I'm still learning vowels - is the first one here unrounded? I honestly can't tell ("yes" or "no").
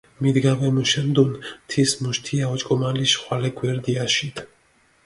yes